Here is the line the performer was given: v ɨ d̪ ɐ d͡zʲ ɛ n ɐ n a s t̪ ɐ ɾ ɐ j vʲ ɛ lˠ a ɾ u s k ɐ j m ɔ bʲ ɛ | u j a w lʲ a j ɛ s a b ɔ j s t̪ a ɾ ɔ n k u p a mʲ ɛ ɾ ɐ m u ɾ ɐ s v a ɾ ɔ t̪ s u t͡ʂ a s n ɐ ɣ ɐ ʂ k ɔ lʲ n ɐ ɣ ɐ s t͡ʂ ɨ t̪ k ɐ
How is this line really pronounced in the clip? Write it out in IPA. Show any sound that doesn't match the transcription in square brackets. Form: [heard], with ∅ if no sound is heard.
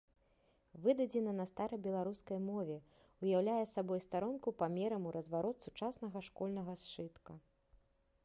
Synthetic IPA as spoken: v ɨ d̪ ɐ d͡zʲ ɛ n ɐ n [ɐ] s t̪ [a] ɾ ɐ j [bʲ] ɛ lˠ a ɾ u s k ɐ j m ɔ [vʲ] ɛ | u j a w lʲ a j ɛ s a b ɔ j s t̪ a ɾ ɔ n k u p a mʲ ɛ ɾ ɐ m u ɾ ɐ [z] v a ɾ ɔ t̪ s u t͡ʂ a s n ɐ ɣ ɐ ʂ k ɔ lʲ n ɐ ɣ ɐ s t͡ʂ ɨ t̪ k ɐ